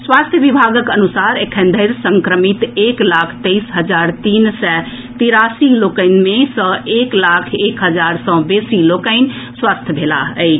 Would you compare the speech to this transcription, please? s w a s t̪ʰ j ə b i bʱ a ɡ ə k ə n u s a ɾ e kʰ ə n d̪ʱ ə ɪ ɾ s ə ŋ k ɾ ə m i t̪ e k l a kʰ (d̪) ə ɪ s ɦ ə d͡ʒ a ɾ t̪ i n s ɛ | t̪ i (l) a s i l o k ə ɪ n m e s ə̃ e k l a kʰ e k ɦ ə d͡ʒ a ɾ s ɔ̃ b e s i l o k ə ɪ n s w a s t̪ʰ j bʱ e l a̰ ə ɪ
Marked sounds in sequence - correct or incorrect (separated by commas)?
incorrect, incorrect